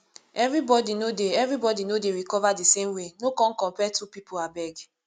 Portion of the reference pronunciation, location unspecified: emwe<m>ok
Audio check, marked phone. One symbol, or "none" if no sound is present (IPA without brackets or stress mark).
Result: n